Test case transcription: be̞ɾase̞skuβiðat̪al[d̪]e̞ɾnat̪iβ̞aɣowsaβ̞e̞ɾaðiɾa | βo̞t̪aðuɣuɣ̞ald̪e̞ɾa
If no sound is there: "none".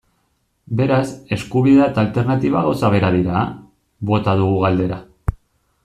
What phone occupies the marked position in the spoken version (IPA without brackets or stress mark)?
t̪